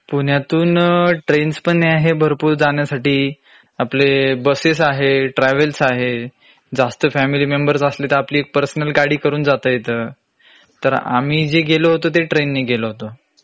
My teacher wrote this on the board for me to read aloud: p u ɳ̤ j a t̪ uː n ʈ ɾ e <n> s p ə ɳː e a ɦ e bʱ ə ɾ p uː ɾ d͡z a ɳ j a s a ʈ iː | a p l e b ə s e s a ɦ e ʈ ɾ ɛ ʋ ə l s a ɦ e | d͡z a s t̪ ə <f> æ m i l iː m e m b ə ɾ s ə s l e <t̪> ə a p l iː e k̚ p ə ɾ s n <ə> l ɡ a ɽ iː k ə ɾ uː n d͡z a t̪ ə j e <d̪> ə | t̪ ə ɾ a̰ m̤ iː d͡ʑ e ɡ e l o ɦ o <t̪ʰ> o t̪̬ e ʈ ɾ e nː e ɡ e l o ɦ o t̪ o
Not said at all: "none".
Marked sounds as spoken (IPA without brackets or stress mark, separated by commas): n, f, t̪, ə, t̪, t̪